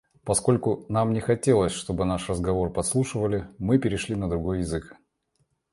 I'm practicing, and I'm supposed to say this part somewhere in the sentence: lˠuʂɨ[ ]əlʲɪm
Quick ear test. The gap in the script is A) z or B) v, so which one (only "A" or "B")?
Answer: B